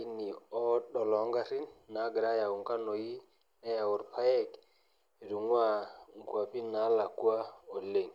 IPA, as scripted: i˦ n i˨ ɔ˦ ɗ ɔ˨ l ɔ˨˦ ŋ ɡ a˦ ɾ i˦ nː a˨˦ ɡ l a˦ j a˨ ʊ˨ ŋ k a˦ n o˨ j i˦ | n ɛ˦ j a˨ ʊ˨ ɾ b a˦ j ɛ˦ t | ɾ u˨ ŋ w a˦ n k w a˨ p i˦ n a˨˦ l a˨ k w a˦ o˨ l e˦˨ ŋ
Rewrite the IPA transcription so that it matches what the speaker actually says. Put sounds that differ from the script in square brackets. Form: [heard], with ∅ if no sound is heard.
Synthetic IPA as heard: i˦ n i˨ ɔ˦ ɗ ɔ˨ l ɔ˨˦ ŋ ɡ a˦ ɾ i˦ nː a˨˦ ɡ [ɾ] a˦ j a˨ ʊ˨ ŋ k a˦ n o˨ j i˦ | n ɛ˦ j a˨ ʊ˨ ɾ [p] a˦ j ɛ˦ [k] | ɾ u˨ ŋ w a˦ [ŋ] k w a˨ p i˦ n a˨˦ l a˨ k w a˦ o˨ l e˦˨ ŋ